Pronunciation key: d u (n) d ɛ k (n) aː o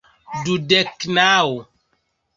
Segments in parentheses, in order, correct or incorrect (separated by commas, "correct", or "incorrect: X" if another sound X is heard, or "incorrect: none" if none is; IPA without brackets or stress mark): incorrect: none, correct